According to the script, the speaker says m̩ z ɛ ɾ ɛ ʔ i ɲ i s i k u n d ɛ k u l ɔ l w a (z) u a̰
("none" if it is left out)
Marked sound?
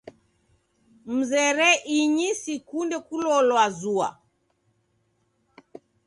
z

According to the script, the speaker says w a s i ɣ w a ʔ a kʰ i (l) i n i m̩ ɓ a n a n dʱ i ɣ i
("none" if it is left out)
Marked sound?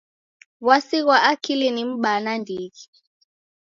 l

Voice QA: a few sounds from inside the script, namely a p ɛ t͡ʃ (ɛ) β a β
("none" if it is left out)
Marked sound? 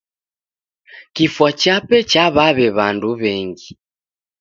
a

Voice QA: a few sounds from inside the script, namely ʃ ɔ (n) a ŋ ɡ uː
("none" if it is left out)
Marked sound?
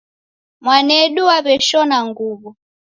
n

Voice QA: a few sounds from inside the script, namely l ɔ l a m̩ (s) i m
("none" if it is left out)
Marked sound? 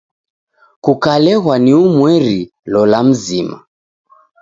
z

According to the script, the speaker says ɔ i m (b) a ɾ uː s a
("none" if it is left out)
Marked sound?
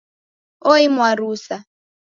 w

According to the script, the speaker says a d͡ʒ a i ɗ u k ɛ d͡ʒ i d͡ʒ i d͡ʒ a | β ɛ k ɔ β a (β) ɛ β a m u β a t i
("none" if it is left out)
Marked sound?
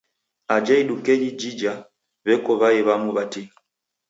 none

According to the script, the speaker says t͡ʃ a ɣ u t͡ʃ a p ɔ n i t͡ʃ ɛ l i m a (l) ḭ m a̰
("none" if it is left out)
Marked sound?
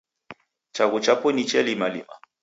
l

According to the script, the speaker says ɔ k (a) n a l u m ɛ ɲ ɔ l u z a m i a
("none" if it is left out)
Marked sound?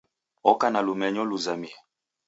a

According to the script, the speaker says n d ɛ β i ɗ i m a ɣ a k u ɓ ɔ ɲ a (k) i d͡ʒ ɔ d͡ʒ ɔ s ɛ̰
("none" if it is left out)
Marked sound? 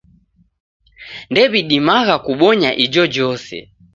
ʔ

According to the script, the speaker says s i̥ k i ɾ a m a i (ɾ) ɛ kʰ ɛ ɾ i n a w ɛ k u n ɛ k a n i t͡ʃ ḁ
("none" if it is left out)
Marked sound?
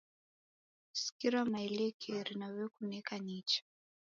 l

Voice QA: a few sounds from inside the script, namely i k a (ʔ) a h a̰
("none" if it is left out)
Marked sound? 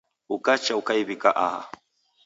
ʔ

